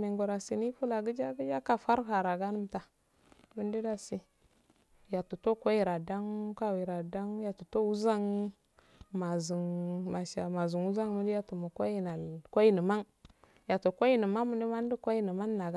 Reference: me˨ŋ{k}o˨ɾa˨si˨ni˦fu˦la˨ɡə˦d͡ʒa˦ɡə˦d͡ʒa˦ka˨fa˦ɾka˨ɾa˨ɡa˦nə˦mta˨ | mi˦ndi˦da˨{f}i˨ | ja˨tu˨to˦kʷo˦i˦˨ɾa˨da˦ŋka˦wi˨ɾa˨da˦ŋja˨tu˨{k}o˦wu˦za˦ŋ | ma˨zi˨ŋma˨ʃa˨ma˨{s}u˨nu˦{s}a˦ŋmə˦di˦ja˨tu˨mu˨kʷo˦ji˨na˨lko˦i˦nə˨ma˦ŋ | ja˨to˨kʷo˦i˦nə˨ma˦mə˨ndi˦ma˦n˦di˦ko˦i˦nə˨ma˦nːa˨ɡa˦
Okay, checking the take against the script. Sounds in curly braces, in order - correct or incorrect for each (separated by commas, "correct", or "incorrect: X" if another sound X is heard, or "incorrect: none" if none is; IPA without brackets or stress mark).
incorrect: ɡ, incorrect: s, incorrect: t, incorrect: z, incorrect: z